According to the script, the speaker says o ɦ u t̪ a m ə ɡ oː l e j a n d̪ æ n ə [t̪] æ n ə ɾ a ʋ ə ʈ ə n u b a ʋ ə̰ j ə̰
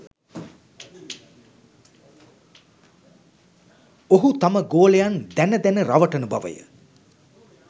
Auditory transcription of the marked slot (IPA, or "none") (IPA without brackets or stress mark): d̪